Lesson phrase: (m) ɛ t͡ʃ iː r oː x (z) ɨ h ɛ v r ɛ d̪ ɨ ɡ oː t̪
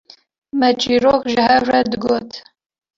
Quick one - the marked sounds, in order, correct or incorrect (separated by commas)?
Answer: correct, incorrect